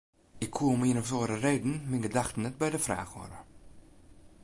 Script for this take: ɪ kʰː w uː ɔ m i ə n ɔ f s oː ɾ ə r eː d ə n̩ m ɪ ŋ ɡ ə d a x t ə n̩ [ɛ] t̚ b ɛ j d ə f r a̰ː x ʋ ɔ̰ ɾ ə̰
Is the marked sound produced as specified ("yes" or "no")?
yes